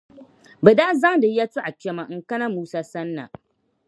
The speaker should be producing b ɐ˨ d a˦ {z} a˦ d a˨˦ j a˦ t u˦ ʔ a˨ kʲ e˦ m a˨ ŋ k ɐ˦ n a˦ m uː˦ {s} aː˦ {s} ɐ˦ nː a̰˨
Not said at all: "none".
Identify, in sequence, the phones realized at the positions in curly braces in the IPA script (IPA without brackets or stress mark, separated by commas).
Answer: z, s, s